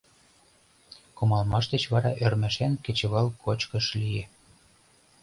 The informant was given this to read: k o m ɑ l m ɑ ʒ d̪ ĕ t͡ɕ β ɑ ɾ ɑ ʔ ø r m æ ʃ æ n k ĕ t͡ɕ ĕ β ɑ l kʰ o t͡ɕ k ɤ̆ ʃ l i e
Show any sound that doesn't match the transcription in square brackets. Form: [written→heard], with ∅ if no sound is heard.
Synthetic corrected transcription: k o m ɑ l m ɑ [ʒ→ʃ] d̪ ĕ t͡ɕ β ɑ ɾ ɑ ʔ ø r m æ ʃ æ n k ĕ t͡ɕ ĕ β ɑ l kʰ o t͡ɕ k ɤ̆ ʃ l i e